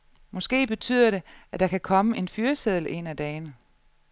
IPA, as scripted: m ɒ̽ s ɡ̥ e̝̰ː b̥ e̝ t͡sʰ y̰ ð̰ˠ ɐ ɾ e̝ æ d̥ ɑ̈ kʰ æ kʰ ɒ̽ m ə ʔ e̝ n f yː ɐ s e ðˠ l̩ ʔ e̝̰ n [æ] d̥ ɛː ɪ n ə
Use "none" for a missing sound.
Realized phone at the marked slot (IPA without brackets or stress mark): æ